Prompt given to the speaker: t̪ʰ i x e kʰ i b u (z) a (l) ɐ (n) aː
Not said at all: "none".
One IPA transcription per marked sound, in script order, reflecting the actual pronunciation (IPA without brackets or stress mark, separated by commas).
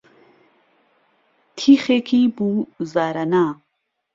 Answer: z, ɾ, n